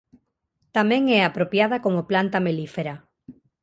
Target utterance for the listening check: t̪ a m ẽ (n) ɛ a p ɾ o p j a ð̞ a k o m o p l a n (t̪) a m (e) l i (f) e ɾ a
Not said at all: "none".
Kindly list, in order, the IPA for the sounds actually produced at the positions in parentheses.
ŋ, t̪, e, f

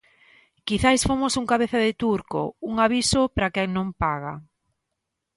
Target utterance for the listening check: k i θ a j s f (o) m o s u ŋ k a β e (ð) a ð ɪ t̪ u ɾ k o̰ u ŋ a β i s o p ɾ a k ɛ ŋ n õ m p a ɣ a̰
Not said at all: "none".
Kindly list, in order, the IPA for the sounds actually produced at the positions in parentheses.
o, θ

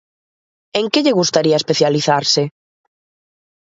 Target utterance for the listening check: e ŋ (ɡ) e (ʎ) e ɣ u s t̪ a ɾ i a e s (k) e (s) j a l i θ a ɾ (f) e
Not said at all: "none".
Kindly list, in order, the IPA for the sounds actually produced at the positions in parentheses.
k, ʎ, p, θ, s

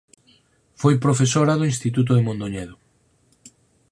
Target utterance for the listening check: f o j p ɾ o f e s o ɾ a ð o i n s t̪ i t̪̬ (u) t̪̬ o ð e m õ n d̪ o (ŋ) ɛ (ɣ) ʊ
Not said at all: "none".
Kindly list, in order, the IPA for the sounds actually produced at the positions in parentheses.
u, ɲ, ð

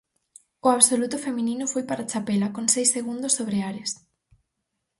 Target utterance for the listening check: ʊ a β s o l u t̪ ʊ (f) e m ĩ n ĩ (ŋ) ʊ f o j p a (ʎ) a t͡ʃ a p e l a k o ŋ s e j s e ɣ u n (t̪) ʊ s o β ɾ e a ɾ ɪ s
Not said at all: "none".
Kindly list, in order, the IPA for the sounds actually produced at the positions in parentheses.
f, n, ɾ, d̪

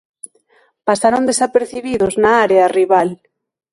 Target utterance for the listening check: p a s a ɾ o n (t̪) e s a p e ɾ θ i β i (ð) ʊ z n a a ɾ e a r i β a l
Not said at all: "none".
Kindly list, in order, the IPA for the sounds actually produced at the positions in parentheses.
d̪, ð

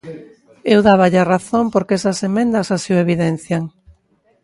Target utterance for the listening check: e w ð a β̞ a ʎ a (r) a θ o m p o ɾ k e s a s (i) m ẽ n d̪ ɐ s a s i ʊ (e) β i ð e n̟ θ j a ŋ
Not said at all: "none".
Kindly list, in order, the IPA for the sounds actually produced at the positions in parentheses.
r, e, e

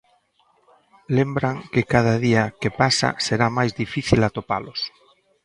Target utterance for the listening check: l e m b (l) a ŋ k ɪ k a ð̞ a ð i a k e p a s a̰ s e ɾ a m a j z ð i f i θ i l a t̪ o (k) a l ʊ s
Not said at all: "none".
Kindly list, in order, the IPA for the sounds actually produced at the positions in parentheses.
ɾ, p

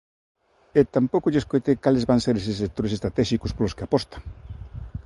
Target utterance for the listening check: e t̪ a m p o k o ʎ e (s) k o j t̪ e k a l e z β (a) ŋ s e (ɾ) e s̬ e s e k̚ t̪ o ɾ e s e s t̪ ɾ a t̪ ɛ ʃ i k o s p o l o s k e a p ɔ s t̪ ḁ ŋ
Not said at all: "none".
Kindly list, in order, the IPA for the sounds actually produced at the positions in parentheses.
s, a, ɾ

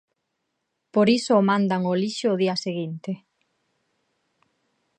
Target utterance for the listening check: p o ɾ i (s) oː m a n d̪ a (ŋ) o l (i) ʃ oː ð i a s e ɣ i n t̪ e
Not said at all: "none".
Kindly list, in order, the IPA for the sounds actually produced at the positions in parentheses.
s, ŋ, i

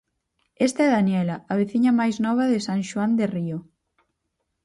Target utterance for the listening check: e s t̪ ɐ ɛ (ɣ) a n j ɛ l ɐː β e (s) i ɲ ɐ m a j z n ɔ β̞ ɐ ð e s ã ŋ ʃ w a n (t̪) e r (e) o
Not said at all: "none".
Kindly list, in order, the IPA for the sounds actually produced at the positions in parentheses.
ð, θ, d̪, i

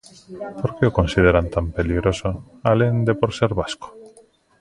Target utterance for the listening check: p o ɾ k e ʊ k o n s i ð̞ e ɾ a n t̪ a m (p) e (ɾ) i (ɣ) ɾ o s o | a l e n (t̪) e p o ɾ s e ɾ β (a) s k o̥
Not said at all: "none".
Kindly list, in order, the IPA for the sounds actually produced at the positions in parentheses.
p, l, ɣ, d̪, a

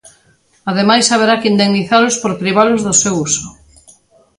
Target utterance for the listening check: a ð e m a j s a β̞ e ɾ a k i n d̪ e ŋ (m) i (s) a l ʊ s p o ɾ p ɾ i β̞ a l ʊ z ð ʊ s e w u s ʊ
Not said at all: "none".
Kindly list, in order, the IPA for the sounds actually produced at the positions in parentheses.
n, θ

